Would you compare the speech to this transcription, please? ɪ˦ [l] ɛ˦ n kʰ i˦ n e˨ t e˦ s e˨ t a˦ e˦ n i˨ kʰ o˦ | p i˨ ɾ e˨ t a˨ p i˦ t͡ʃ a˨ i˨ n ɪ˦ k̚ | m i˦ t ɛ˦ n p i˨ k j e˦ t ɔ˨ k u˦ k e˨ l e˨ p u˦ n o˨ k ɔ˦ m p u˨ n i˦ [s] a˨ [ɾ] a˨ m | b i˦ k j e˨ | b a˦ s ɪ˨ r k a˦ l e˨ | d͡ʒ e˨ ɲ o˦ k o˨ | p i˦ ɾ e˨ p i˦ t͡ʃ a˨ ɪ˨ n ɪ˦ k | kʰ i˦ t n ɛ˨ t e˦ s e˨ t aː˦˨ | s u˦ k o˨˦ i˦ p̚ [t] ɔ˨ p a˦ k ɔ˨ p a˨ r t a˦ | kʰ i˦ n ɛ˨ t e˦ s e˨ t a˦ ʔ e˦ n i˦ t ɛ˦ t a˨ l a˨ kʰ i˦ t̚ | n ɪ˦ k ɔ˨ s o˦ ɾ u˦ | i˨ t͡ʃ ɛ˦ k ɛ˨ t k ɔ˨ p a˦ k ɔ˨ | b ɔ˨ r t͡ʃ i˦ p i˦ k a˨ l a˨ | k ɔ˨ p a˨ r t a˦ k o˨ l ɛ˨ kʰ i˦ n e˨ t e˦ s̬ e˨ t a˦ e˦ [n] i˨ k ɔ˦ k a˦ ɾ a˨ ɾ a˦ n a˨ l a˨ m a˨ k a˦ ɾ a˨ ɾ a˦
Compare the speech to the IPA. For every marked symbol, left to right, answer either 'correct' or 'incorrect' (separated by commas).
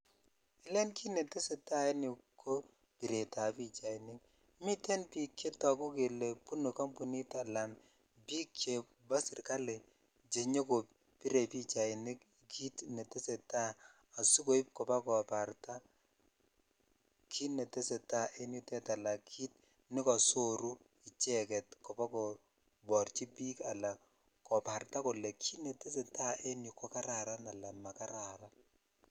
correct, incorrect, incorrect, incorrect, correct